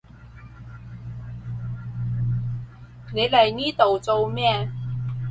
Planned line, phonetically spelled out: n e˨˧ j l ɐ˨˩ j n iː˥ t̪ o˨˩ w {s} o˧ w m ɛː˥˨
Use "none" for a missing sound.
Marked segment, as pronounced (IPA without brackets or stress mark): t͡s